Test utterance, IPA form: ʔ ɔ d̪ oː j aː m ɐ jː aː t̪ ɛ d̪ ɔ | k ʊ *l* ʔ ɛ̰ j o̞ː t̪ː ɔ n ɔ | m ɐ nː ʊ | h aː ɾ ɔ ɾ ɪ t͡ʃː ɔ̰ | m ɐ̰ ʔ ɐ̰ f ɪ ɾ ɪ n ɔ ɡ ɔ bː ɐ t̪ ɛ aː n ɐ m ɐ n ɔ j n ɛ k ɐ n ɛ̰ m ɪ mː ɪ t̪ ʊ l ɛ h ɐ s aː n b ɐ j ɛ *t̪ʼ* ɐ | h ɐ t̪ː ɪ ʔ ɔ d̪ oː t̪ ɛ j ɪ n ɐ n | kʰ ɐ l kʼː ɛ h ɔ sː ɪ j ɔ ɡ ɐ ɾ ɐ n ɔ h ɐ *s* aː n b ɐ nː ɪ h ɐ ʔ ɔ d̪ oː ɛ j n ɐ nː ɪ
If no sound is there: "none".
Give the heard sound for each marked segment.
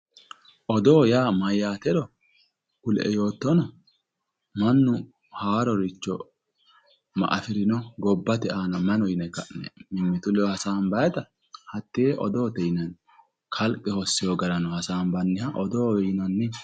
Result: l, t̪, s

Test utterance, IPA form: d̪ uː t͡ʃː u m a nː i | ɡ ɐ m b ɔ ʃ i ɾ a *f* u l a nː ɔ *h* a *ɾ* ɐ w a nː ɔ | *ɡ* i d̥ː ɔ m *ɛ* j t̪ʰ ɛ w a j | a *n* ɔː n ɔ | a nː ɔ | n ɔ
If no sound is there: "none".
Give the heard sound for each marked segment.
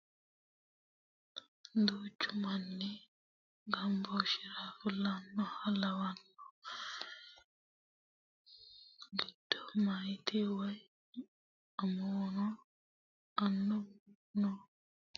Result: f, h, l, ɡ, a, m

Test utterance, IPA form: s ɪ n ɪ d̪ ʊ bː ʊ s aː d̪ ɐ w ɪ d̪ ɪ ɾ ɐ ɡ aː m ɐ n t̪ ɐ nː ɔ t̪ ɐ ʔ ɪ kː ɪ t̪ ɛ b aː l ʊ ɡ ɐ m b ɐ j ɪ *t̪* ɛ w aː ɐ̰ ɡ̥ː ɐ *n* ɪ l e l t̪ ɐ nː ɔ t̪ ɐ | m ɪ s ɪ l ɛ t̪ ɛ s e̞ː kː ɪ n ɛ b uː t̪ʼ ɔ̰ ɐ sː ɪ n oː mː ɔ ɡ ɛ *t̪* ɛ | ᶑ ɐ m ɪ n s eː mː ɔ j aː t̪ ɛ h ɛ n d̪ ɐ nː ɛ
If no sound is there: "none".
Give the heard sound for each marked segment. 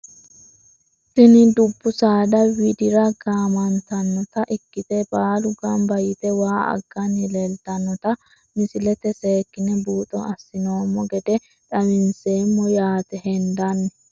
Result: t̪, n, d̪

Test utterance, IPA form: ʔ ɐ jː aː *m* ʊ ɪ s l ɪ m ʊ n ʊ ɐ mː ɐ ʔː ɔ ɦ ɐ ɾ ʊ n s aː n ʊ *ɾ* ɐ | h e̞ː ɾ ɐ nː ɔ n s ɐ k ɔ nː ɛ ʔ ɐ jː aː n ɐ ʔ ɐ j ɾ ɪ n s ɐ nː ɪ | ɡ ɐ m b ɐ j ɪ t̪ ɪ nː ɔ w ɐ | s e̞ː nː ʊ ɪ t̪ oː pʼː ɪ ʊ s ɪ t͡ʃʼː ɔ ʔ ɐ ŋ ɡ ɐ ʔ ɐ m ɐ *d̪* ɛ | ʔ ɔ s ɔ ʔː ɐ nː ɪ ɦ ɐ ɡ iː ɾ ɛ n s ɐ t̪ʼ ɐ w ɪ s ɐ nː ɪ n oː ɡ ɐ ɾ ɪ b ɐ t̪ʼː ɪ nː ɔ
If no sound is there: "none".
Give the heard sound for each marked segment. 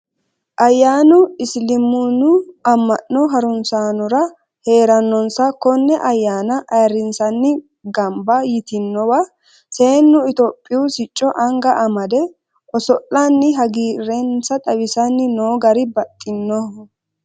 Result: n, ɾ, d̪

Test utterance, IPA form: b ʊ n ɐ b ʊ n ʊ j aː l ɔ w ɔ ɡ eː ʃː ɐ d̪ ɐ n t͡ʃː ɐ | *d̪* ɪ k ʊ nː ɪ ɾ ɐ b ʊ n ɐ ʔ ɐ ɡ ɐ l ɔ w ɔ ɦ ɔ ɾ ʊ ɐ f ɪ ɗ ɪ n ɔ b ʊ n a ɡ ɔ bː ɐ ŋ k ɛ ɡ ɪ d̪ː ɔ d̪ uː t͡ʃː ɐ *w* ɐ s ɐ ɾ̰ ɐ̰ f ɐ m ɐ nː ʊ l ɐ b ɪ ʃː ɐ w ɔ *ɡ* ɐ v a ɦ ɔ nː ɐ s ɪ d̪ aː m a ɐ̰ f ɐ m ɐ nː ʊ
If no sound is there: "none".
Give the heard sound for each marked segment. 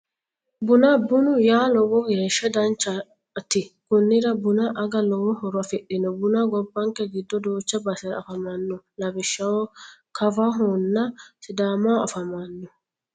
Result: t̪, b, k

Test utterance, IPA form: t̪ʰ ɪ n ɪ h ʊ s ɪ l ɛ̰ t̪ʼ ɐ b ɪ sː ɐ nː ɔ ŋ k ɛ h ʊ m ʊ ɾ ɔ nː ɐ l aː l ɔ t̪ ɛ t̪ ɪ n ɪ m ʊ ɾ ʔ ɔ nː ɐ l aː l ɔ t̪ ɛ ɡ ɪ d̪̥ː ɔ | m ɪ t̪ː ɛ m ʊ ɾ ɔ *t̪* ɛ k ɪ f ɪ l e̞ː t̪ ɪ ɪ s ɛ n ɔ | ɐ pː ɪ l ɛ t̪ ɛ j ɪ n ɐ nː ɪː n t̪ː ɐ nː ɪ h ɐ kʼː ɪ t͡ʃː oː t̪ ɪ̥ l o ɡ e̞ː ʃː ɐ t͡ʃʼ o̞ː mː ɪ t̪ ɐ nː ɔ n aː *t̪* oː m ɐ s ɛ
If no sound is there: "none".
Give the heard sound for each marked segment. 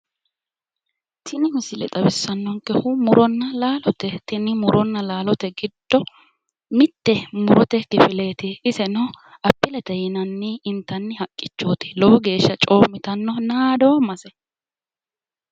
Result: t̪, d̪

